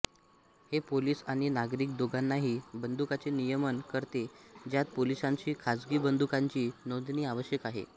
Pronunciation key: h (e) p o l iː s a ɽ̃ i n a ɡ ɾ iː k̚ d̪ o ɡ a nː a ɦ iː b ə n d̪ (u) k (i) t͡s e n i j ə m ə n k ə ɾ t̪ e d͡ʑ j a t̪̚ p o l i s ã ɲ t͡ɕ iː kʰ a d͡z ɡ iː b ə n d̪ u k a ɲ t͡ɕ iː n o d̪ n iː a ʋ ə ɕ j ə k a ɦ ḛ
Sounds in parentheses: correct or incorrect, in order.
correct, correct, incorrect: a

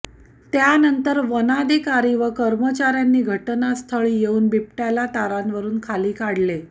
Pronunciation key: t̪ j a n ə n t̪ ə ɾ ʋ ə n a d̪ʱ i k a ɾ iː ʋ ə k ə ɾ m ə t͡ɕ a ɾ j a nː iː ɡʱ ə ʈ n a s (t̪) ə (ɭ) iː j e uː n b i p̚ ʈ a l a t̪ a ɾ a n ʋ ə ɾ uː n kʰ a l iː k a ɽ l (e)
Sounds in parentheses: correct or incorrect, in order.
incorrect: t̪ʰ, correct, correct

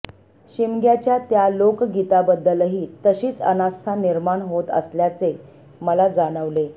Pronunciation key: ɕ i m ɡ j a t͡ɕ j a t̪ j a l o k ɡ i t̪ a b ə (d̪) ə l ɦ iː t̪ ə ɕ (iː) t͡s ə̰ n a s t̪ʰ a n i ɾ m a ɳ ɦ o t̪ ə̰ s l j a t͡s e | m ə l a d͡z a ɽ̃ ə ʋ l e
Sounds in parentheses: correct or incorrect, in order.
incorrect: d̪ː, correct

